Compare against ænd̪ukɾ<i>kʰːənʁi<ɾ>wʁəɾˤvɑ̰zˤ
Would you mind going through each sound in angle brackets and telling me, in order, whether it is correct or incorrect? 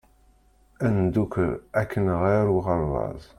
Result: incorrect: æ, correct

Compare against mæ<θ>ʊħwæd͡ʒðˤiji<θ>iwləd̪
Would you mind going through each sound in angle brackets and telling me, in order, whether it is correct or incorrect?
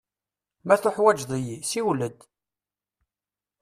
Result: correct, incorrect: s

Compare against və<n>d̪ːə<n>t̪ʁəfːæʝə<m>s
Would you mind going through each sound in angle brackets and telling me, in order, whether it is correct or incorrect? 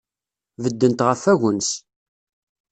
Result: incorrect: none, correct, incorrect: n

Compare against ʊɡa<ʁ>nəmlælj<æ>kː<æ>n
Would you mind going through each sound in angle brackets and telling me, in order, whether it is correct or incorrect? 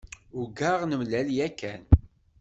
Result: correct, correct, correct

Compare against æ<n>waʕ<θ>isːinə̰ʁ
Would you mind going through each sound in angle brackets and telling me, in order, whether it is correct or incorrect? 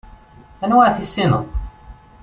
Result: correct, correct

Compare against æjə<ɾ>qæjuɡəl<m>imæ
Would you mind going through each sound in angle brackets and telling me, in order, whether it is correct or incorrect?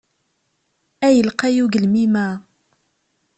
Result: incorrect: l, correct

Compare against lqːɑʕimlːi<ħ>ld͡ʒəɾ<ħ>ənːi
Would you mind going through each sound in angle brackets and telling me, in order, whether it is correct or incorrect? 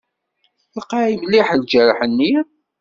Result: correct, correct

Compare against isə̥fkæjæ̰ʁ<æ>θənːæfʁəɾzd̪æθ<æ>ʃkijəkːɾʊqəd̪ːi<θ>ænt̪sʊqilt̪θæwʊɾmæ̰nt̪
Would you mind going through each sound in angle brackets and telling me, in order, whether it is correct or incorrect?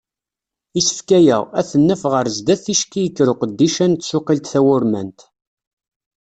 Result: correct, incorrect: i, incorrect: ʃ

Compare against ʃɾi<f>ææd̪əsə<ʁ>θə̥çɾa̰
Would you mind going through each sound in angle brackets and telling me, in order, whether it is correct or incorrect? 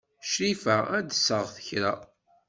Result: correct, correct

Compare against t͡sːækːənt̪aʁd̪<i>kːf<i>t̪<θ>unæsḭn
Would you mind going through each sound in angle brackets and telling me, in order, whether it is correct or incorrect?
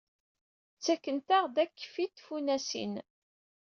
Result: incorrect: æ, correct, incorrect: f

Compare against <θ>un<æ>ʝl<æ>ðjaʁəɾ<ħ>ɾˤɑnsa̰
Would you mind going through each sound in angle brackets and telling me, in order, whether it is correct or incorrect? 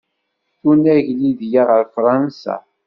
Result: correct, correct, incorrect: i, incorrect: f

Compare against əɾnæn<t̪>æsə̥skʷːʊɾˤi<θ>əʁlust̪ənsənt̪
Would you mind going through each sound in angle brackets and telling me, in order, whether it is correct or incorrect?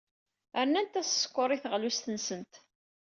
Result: correct, correct

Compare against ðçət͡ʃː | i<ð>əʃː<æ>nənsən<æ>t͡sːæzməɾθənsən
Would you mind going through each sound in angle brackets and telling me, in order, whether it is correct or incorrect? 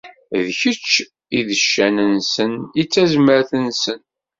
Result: correct, correct, incorrect: i

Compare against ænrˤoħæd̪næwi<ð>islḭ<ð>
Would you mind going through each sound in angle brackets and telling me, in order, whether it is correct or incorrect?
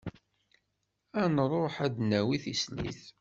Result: incorrect: θ, incorrect: θ

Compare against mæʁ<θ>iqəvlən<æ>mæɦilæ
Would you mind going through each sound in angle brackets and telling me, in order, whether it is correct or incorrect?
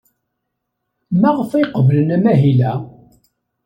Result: incorrect: f, correct

